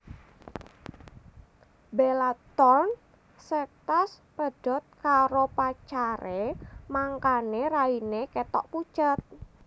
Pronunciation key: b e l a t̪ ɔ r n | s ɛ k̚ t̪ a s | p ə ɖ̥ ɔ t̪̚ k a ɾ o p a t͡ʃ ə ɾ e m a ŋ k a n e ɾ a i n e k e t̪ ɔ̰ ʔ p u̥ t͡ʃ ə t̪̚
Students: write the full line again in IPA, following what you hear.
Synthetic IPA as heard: b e l a t̪ ɔ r n | s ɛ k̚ t̪ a s | p ə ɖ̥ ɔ t̪̚ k a ɾ o p a t͡ʃ a ɾ e m a ŋ k a n e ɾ a i n e k e t̪ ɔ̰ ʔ p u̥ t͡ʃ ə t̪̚